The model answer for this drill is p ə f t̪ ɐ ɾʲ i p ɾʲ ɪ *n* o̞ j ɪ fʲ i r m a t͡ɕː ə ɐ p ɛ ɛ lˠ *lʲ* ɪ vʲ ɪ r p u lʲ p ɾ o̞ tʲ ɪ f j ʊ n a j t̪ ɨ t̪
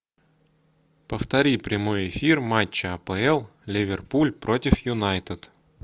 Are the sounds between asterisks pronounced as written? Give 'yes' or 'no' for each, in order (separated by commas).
no, yes